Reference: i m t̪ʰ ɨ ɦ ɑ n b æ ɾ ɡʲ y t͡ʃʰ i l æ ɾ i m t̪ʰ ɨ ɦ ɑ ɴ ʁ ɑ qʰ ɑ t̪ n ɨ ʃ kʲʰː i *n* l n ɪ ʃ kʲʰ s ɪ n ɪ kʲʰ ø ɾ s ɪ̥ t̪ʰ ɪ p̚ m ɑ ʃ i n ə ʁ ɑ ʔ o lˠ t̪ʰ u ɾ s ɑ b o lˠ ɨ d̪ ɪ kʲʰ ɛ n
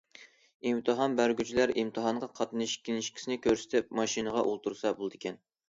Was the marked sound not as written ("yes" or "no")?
yes